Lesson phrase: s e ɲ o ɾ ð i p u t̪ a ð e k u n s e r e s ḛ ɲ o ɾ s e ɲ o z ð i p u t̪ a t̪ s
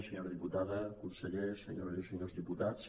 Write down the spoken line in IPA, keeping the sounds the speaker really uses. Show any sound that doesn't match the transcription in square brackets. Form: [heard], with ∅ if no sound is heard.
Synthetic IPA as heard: s e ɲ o ɾ ð i p u t̪ a ð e k u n s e [ʎ] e s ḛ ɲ o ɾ s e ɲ o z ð i p u t̪ a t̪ s